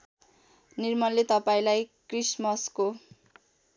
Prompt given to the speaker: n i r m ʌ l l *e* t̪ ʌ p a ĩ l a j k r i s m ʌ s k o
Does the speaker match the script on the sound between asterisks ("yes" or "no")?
yes